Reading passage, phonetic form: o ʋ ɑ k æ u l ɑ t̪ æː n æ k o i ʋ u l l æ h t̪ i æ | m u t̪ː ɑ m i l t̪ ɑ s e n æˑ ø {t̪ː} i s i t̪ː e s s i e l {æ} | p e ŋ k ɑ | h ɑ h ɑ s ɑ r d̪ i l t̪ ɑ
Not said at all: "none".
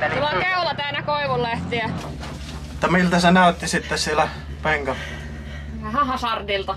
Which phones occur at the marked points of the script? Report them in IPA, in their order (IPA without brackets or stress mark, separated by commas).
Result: t̪ː, æ